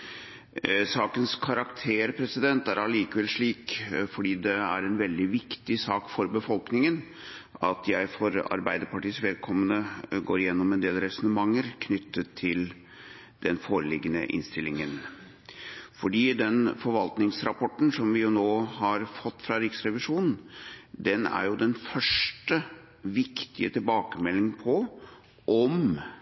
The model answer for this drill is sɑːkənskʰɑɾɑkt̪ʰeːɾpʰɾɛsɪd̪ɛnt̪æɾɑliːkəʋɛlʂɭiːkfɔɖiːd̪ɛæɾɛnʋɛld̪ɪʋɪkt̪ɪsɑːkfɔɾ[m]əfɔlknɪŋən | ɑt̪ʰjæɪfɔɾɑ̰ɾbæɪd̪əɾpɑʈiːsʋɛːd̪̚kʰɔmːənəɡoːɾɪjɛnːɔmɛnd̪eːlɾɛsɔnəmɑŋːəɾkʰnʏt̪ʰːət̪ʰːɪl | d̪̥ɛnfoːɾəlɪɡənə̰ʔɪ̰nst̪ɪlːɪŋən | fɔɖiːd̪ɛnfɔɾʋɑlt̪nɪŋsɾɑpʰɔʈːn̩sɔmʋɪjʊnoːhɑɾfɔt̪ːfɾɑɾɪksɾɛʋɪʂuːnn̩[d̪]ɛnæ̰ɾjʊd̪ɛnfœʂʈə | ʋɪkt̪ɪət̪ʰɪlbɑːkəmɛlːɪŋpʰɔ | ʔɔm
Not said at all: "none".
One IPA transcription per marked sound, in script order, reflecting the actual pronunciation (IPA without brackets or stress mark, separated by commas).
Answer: b, d̪